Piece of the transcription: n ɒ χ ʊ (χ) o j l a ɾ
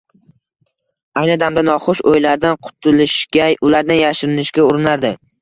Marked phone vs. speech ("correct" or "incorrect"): incorrect